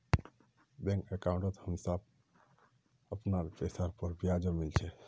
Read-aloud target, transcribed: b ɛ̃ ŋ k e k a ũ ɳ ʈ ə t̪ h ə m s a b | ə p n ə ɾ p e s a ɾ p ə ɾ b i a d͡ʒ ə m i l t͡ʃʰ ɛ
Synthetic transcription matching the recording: b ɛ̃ ŋ k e k a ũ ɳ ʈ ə t̪ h ə m s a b | ə p n a ɾ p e s a ɾ p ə ɾ b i a d͡ʒ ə m i l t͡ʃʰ ɛ